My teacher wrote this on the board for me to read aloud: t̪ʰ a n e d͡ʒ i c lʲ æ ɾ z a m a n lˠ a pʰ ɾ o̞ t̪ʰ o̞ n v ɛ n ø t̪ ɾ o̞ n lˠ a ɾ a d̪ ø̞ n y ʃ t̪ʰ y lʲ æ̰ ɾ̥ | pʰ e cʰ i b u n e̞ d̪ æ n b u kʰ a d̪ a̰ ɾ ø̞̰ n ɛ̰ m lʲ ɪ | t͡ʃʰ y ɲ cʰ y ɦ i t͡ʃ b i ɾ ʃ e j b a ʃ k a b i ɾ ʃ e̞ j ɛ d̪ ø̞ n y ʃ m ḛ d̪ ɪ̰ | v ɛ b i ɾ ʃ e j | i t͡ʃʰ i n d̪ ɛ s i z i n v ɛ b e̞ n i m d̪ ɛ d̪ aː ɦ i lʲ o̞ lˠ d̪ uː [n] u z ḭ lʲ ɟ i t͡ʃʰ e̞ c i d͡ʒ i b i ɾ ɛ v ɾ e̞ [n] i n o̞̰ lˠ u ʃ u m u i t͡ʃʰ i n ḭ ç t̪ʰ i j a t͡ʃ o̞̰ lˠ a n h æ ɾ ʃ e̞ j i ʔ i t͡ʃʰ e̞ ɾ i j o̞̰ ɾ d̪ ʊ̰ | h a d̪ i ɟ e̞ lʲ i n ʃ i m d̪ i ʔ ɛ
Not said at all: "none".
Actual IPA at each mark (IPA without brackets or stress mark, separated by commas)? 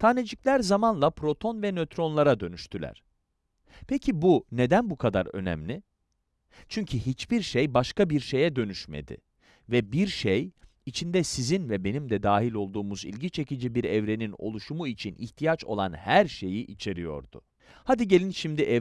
m, n